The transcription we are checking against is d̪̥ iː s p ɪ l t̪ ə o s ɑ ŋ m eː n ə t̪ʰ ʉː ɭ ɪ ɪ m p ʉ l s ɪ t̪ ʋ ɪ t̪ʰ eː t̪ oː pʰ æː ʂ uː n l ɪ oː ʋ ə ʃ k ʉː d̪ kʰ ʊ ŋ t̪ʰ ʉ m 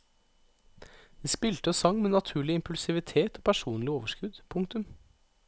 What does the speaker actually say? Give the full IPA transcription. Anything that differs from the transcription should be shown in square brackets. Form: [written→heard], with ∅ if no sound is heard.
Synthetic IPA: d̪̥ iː s p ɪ l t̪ ə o s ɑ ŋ m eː n [ə→ɑ] t̪ʰ ʉː ɭ ɪ ɪ m p ʉ l s ɪ [t̪→∅] ʋ ɪ t̪ʰ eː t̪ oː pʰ [æː→æ] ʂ uː n l ɪ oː ʋ ə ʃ k [ʉː→ʉ] d̪ [kʰ→pʰ] ʊ ŋ [t̪ʰ→t̪] ʉ m